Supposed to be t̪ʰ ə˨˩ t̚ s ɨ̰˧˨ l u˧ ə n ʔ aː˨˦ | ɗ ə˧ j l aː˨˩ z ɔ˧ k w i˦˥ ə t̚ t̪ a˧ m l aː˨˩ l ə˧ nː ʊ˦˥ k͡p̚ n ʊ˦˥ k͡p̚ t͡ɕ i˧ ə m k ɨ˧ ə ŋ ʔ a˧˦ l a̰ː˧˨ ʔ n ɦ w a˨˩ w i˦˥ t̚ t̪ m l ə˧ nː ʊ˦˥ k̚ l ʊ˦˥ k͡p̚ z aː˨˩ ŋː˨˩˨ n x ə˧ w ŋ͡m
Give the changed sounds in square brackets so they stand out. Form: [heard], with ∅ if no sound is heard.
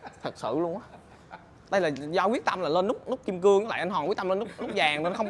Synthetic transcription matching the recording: t̪ʰ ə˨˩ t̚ s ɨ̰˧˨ l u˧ ə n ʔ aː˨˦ | ɗ ə˧ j l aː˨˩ z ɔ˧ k w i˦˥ ə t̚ t̪ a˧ m l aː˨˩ l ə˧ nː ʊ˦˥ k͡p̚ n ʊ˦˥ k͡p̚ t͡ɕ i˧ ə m k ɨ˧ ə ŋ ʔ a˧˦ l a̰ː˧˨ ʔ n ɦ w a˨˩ w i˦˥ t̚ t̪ m l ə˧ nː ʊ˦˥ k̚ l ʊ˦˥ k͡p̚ z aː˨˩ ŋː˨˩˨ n x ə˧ w ŋ͡m